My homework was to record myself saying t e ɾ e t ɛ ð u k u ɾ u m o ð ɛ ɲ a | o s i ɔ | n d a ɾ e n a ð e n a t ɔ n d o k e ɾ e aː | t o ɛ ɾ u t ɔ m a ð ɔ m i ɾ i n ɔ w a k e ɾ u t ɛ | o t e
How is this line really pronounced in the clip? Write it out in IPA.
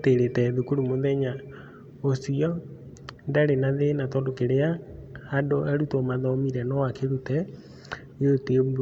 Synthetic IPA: t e ɾ e t ɛ ð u k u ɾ u m o ð ɛ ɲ a | o s i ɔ | n d a ɾ e n a ð e n a t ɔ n d o k e ɾ e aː | d o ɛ ɾ u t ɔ m a ð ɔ m i ɾ ɛ n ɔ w a k e ɾ u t ɛ | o t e